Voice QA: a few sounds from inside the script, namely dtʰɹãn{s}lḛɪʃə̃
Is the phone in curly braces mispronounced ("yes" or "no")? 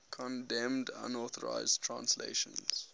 no